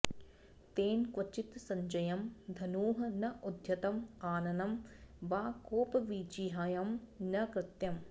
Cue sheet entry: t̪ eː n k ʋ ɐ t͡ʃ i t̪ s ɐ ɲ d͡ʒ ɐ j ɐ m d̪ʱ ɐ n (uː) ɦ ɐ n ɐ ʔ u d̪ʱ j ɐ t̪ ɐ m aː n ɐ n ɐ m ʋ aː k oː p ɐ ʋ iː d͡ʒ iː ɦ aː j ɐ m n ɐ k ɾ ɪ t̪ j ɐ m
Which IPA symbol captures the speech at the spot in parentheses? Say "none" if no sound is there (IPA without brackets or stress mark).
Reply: uː